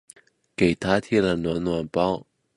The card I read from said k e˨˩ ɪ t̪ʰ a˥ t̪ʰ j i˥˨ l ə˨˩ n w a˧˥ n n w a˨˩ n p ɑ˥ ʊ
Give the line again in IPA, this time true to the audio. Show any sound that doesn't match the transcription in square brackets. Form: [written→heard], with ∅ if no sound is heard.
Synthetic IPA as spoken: k e˨˩ ɪ t̪ʰ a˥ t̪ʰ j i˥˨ l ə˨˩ n w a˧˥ n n w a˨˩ n p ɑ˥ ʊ